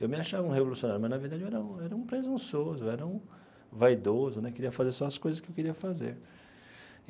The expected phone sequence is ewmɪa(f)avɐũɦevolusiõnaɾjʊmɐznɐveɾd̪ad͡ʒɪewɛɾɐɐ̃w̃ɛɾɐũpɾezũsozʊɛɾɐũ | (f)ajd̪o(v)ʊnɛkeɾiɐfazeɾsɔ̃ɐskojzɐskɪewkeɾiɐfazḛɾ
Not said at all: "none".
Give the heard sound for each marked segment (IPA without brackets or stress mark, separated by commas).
ʃ, v, z